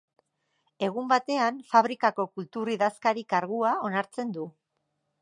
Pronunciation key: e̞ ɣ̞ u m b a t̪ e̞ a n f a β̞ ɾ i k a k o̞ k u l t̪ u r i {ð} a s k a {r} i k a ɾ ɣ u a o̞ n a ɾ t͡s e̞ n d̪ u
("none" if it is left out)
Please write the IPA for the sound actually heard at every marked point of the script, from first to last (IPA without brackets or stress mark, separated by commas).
ð, ɾ